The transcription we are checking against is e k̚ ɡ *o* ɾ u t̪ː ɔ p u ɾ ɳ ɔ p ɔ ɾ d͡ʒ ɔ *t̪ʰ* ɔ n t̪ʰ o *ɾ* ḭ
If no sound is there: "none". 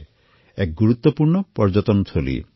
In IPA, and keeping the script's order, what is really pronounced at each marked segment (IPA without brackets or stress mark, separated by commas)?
u, t̪, l